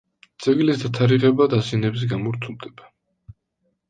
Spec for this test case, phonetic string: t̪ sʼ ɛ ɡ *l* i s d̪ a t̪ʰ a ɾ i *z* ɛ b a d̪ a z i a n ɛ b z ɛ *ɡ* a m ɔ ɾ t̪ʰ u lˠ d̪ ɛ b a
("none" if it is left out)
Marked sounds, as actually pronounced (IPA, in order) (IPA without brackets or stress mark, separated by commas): l, ʁ, ɡ